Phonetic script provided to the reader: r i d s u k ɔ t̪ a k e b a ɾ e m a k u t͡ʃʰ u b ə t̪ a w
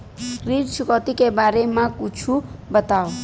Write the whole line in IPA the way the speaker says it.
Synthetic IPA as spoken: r i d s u k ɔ t̪ i k e b a ɾ e m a k u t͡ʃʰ u b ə t̪ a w